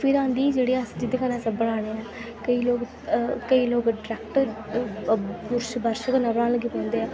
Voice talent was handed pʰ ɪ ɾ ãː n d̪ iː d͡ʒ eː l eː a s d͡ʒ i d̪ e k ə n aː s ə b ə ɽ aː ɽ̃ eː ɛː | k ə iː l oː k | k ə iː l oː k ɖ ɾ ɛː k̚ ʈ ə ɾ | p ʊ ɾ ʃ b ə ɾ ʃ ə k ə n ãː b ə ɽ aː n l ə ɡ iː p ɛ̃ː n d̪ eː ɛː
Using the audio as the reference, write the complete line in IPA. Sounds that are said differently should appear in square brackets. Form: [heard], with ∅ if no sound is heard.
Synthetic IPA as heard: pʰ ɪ ɾ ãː n d̪ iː d͡ʒ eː [ɽ] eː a s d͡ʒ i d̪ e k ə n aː s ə b ə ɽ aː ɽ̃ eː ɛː | k ə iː l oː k | k ə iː l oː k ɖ ɾ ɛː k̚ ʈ ə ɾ | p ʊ ɾ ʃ b ə ɾ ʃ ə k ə n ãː b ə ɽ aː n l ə ɡ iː p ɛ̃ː n d̪ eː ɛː